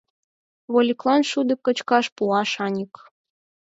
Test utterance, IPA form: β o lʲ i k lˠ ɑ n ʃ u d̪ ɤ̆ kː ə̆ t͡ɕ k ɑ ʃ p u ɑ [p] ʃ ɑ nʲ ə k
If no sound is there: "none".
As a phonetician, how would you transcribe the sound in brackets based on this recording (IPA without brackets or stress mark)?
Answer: none